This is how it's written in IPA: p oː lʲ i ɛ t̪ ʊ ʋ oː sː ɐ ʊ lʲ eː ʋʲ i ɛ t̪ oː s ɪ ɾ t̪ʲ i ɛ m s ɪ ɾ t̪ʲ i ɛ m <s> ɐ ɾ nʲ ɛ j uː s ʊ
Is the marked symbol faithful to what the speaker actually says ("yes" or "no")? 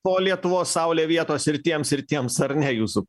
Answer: yes